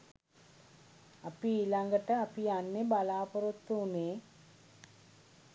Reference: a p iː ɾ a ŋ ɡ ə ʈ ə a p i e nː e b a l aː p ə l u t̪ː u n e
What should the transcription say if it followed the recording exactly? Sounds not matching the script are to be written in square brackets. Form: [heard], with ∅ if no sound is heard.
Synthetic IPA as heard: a p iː [l] a ŋ ɡ ə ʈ ə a p i [a] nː e b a l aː p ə [ɾ] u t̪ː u n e